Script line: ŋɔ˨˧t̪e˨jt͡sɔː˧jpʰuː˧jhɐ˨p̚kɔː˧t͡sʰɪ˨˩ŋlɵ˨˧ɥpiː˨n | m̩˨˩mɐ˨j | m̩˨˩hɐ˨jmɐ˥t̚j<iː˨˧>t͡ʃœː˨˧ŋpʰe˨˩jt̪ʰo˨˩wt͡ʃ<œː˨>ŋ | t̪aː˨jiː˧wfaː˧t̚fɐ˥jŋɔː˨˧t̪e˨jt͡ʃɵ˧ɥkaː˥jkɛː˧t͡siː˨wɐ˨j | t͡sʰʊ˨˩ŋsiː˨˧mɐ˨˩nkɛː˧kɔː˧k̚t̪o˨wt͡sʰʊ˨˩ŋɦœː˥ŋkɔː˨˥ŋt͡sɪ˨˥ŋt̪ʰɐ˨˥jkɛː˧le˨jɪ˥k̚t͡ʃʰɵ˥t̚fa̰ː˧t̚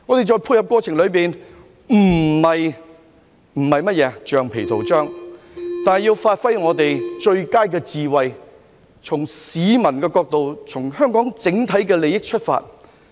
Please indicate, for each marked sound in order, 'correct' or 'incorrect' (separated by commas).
incorrect, incorrect